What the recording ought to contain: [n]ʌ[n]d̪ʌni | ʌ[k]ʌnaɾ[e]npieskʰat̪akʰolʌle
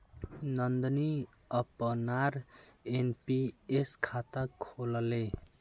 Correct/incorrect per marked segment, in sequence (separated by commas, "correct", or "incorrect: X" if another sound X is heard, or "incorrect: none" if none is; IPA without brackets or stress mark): correct, correct, incorrect: p, correct